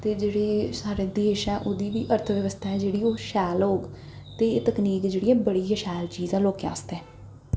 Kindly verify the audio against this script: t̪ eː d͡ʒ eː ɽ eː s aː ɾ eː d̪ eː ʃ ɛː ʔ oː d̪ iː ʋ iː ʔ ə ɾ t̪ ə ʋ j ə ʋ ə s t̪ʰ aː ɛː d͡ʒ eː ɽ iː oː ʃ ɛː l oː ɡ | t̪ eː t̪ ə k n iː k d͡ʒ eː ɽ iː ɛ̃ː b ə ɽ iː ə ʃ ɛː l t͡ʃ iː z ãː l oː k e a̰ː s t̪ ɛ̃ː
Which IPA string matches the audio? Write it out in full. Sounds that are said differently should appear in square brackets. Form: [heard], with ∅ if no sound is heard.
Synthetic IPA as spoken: t̪ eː d͡ʒ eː ɽ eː s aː ɾ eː d̪ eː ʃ ɛː ʔ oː d̪ iː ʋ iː ʔ ə ɾ [t̪ʰ] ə ʋ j ə ʋ ə s t̪ʰ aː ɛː d͡ʒ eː ɽ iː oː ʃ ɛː l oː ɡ | t̪ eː t̪ ə k n iː k d͡ʒ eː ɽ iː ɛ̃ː b ə ɽ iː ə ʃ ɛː l t͡ʃ iː z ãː l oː k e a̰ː s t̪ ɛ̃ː